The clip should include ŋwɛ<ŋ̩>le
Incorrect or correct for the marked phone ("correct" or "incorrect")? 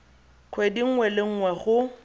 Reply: incorrect